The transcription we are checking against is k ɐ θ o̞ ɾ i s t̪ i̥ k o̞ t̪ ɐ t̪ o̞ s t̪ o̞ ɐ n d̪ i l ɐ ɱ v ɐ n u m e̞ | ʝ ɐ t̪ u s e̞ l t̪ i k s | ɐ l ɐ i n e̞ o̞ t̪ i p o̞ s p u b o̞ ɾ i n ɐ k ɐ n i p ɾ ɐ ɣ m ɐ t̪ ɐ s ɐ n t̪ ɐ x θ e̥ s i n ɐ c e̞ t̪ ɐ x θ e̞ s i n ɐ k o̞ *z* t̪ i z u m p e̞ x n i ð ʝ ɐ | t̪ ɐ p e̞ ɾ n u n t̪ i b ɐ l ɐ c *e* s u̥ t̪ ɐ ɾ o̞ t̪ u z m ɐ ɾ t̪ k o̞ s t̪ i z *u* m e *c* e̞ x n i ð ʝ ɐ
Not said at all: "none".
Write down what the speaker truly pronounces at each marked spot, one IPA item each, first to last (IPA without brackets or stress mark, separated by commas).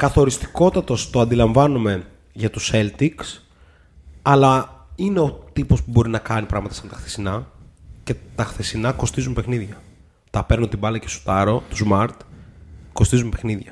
s, e, u, p